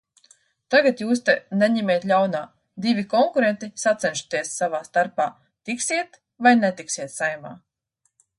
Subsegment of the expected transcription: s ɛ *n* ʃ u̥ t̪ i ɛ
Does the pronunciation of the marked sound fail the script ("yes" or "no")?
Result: no